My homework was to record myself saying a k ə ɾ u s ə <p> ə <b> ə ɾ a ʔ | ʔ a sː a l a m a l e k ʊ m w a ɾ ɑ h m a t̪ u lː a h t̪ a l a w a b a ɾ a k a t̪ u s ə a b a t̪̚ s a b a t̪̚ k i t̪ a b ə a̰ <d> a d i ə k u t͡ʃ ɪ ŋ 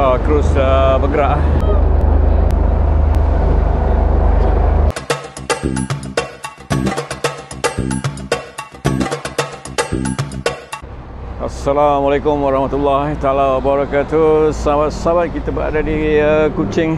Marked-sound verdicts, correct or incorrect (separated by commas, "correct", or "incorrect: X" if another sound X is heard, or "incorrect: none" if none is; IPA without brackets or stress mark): incorrect: b, incorrect: ɡ, correct